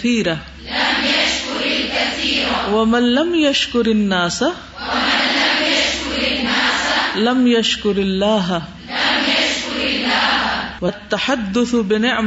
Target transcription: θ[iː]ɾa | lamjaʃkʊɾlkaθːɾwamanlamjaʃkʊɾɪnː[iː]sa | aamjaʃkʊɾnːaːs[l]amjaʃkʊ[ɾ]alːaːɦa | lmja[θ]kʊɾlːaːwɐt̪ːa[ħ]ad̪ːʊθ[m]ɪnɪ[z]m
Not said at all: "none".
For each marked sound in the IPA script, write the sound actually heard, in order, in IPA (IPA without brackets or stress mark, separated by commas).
iː, aː, l, ɾ, ʃ, ħ, b, ʕ